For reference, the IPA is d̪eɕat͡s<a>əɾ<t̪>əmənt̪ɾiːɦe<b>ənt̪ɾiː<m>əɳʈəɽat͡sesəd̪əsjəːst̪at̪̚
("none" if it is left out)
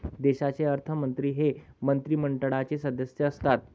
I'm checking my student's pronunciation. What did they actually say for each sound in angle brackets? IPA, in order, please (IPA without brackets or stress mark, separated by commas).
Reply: e, t̪ʰ, m, m